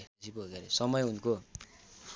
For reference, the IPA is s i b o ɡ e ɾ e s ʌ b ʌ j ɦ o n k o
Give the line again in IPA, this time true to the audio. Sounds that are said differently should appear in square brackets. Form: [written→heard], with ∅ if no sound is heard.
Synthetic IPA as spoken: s i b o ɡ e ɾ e s ʌ [b→m] ʌ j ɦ [o→u] n k o